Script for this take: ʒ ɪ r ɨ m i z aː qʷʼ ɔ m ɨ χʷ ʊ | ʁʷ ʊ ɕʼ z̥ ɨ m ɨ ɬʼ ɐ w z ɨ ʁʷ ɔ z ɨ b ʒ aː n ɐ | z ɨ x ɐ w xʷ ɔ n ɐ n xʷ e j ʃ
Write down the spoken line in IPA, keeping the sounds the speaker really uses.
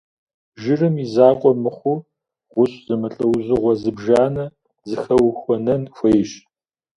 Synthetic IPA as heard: ʒ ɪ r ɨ m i z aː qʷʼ ɔ m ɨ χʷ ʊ | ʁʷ ʊ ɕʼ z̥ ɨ m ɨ ɬʼ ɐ w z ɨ ʁʷ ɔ z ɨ b ʒ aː n ɐ | z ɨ x ɐ w xʷ ɔ n ɐ n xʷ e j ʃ